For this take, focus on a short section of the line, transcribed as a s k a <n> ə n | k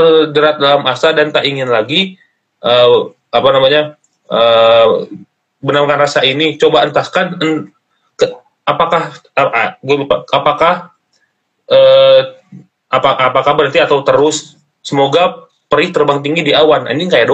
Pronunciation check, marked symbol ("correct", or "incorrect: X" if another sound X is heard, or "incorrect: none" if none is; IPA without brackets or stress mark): correct